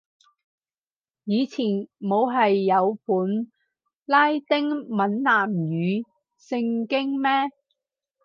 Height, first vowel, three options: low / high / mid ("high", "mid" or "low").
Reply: high